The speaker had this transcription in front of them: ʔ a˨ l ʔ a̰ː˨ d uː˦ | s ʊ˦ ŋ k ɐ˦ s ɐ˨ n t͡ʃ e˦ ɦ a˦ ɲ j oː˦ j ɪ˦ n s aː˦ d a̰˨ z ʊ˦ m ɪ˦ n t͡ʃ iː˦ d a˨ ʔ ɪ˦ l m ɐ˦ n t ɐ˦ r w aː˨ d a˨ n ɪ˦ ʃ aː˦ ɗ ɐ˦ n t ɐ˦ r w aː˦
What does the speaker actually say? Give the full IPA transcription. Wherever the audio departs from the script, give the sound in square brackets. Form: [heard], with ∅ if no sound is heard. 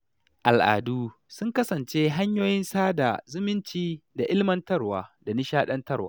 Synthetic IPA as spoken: ʔ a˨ l ʔ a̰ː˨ d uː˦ | s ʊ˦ ŋ k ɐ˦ s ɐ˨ n t͡ʃ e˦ ɦ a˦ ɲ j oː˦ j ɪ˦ n s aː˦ d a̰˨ z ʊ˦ m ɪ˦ n t͡ʃ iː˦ d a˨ ʔ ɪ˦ l m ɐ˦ n t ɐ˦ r w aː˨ d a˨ n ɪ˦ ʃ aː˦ ɗ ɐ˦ n t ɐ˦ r w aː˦